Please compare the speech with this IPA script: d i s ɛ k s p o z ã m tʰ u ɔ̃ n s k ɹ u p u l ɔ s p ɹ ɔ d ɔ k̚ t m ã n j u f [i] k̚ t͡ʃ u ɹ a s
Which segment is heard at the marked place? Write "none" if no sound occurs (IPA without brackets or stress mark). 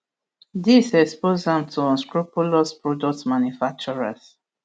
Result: a